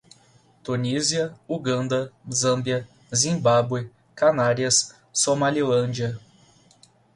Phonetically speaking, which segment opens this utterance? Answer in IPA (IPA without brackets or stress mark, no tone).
t̪